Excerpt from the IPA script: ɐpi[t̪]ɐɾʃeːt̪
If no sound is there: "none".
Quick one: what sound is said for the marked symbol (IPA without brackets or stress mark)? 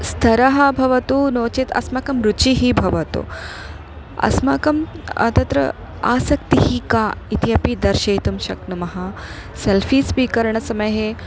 d̪